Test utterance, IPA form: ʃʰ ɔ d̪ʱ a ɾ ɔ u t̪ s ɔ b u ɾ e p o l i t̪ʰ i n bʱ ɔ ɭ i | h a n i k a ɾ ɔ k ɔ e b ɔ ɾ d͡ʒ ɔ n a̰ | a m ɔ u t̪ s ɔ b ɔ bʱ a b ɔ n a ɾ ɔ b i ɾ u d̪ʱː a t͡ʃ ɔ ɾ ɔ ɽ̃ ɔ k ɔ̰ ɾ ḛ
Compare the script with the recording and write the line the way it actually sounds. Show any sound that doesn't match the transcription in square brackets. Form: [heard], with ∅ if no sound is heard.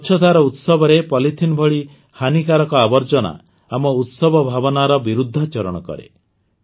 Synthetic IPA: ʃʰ ɔ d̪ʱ a ɾ ɔ u t̪ s ɔ b [ɔ] ɾ e p [ɔ] l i t̪ʰ i n bʱ ɔ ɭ i | h a n i k a ɾ ɔ k ɔ [a] b ɔ ɾ d͡ʒ ɔ n a̰ | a m ɔ u t̪ s ɔ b ɔ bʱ a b ɔ n a ɾ ɔ b i ɾ u d̪ʱː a t͡ʃ ɔ ɾ ɔ ɽ̃ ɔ k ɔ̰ ɾ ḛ